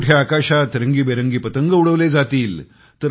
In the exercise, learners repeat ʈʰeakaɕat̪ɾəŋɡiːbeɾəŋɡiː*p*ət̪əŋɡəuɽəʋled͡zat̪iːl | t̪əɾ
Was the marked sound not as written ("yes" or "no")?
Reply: no